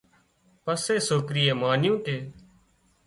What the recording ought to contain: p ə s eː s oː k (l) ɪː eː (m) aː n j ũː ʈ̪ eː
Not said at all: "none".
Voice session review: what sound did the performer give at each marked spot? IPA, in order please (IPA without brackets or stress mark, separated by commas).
ɾ, m